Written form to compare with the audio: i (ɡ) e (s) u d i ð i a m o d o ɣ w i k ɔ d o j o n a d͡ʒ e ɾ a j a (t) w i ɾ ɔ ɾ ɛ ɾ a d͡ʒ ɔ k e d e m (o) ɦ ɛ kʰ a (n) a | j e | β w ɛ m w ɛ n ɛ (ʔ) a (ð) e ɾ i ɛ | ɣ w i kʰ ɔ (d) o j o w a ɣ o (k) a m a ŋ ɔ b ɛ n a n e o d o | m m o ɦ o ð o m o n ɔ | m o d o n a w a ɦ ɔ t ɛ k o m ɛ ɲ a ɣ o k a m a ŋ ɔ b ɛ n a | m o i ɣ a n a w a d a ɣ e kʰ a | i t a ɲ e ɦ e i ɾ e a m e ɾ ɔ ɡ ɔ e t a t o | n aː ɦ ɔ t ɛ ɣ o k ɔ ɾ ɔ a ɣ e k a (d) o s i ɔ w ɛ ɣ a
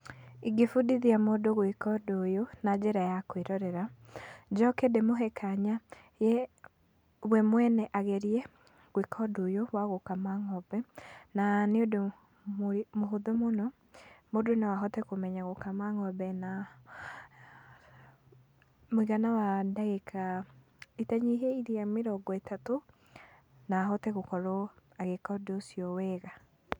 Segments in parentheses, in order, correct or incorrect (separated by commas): correct, incorrect, incorrect, correct, incorrect, correct, incorrect, correct, correct, correct